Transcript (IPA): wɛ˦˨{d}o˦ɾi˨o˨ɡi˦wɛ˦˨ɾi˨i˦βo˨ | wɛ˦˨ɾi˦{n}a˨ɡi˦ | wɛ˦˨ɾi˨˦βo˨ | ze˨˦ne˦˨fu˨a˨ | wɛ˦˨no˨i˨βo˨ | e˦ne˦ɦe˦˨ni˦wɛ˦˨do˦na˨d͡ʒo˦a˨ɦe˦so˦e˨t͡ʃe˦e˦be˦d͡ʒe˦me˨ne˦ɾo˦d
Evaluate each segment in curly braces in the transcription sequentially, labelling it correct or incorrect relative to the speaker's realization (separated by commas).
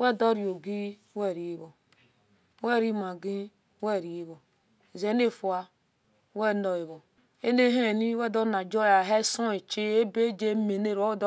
correct, incorrect